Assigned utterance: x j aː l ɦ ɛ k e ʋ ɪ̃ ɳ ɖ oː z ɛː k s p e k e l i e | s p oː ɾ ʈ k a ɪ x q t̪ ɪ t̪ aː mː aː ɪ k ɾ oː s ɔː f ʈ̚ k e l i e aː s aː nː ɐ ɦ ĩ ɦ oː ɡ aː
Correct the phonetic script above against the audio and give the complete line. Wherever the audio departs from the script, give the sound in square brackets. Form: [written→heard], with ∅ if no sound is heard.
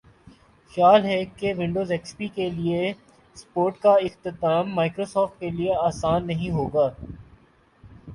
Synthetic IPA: x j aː l ɦ ɛ k e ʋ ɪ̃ ɳ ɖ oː z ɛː k s p [e→i] k e l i e | s p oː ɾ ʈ k a ɪ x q t̪ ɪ t̪ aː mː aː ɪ k ɾ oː s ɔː f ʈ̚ k e l i e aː s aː nː ɐ ɦ ĩ ɦ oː ɡ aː